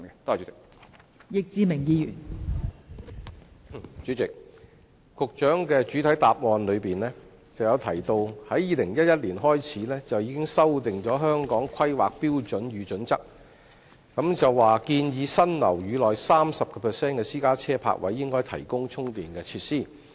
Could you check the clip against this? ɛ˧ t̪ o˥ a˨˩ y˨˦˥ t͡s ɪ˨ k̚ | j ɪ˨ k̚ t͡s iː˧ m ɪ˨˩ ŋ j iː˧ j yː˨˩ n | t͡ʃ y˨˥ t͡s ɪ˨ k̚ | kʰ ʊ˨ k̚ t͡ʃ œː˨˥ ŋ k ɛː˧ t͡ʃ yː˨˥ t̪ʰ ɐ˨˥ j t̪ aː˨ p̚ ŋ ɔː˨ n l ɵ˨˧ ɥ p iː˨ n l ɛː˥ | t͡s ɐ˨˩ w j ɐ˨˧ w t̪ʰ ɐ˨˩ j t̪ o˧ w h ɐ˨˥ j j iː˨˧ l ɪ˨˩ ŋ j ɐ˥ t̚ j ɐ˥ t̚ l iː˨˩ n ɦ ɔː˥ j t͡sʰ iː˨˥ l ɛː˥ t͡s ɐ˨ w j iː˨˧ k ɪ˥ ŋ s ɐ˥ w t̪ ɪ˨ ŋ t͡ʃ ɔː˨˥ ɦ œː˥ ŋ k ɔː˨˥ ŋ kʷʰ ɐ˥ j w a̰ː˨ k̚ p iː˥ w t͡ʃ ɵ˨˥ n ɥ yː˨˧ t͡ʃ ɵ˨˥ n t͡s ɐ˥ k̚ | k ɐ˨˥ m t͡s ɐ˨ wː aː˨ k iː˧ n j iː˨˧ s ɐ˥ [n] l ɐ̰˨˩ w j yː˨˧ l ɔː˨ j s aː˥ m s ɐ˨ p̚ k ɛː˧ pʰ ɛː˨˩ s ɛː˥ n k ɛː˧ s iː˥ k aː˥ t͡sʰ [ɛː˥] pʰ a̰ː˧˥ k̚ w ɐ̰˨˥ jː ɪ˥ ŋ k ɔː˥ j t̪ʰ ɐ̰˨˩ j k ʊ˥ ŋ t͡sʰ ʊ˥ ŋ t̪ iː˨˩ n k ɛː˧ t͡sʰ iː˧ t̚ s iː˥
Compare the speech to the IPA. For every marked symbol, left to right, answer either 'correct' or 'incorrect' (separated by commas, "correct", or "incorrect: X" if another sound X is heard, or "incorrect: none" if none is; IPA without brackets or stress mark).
correct, correct